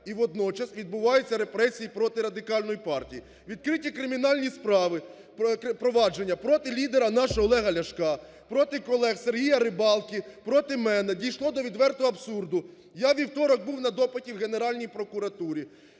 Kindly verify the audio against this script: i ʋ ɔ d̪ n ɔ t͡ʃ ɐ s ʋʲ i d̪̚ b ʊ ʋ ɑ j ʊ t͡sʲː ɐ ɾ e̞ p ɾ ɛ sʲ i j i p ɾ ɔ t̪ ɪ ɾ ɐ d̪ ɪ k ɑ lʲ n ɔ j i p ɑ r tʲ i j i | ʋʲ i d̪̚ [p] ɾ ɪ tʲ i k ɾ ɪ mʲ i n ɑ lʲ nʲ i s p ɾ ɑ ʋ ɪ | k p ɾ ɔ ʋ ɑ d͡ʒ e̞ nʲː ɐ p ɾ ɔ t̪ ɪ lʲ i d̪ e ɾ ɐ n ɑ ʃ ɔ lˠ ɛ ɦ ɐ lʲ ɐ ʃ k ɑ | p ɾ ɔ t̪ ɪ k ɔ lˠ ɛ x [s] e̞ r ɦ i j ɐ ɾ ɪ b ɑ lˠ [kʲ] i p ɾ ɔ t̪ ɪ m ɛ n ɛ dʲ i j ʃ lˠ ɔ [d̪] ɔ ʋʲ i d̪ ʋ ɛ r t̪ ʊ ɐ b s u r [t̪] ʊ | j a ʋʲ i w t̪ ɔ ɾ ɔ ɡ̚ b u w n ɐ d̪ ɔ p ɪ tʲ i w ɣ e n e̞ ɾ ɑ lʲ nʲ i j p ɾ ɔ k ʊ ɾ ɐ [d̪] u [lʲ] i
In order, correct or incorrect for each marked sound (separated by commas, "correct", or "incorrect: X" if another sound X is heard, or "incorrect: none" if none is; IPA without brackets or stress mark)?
incorrect: k, correct, correct, correct, incorrect: d̪, incorrect: t̪, incorrect: ɾʲ